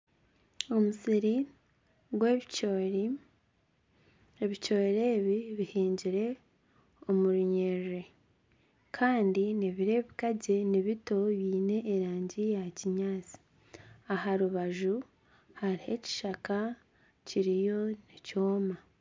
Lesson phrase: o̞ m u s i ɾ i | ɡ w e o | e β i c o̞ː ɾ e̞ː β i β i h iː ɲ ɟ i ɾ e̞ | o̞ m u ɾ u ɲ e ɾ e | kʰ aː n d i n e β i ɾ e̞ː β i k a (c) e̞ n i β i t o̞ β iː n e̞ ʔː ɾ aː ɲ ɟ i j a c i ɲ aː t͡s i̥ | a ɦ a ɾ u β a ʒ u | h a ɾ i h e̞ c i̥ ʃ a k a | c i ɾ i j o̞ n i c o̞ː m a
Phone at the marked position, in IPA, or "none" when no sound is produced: ɟ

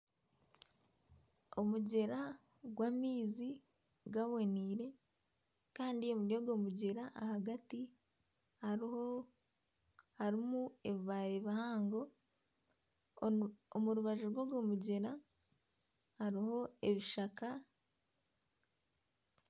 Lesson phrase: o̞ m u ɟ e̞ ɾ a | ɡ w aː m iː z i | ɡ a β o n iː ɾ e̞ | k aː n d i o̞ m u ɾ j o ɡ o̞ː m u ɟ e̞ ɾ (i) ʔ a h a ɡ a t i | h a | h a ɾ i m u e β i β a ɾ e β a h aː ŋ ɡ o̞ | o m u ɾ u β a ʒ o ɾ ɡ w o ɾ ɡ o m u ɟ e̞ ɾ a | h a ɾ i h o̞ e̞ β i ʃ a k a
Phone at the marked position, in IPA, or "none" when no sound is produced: a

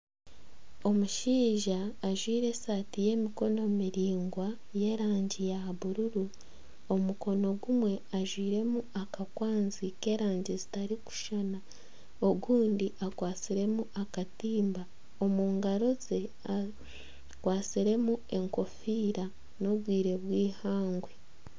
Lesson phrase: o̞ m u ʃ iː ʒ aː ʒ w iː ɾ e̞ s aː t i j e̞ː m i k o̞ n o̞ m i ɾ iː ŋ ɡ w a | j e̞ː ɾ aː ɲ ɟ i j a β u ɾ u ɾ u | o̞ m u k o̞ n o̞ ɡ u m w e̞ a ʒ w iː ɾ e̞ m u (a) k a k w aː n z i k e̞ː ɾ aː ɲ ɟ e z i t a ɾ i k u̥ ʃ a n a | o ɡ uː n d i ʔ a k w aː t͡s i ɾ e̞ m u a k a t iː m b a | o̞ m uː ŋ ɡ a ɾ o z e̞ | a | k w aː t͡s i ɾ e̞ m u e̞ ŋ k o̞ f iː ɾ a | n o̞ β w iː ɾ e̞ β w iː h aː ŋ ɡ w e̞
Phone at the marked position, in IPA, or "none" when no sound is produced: a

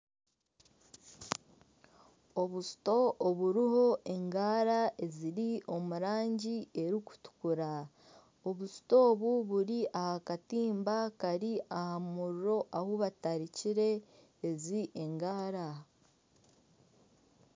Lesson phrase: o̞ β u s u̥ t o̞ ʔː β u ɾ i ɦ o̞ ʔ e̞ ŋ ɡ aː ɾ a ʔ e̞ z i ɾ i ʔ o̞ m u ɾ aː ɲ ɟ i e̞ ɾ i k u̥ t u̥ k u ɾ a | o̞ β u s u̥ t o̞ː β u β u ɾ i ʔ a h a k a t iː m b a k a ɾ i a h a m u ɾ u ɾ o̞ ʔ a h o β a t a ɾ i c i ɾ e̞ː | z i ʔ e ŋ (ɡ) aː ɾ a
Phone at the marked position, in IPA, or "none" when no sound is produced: ɡ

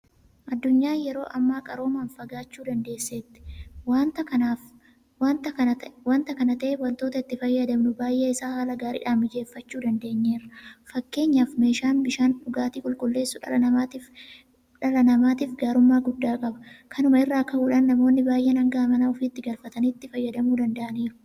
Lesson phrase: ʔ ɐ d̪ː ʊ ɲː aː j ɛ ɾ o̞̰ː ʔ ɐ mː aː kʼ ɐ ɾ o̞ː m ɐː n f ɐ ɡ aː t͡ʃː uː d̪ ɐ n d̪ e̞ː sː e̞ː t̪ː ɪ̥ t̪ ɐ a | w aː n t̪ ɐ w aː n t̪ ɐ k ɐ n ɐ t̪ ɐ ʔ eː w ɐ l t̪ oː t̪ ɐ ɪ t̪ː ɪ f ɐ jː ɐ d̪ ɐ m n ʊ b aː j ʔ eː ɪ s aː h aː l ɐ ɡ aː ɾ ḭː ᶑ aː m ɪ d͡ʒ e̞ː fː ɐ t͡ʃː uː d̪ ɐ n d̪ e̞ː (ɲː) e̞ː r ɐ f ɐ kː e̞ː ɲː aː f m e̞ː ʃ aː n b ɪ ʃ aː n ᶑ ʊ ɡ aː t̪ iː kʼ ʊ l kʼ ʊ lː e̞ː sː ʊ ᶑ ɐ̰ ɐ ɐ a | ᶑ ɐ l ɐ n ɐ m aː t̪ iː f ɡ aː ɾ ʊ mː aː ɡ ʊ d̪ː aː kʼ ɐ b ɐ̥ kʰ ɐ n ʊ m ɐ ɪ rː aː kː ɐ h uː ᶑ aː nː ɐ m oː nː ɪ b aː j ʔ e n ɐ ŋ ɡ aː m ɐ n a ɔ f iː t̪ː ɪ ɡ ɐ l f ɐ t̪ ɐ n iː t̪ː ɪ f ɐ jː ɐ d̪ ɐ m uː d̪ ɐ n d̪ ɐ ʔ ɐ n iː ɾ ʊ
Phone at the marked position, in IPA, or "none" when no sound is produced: ɲː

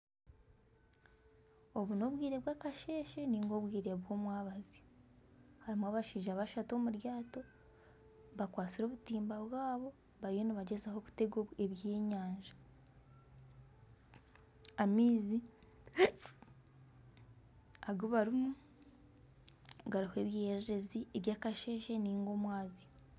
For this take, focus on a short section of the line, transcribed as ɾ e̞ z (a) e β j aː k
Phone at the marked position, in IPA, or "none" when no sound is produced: i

